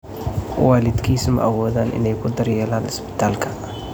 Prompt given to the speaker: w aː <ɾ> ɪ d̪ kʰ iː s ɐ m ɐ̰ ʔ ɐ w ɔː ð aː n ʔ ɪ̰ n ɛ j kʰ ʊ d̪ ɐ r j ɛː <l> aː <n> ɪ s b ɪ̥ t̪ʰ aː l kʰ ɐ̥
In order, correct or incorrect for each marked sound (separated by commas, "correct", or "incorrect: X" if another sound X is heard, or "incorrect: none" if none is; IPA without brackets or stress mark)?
incorrect: l, correct, correct